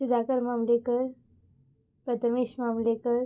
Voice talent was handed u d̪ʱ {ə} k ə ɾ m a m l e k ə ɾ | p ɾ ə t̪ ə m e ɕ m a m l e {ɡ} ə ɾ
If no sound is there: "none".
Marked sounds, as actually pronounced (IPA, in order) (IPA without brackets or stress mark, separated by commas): a, k